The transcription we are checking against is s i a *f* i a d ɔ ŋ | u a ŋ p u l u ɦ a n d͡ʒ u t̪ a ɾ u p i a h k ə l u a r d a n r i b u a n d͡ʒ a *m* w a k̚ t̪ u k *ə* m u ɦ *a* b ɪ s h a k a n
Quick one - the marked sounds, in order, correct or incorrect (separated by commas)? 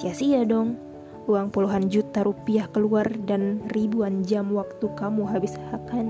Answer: incorrect, correct, incorrect, correct